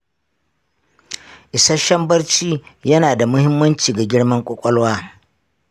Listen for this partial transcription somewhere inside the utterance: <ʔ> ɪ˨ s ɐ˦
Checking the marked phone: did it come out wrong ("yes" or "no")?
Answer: no